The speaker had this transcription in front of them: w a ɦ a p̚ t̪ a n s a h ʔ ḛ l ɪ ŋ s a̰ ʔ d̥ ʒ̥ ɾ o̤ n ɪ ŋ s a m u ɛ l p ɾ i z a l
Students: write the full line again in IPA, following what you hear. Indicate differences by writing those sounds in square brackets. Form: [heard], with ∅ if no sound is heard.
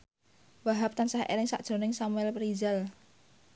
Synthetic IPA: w a ɦ a p̚ t̪ a n s a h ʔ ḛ l ɪ ŋ s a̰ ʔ d̥ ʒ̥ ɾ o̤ n ɪ ŋ s a m u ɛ l p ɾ i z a l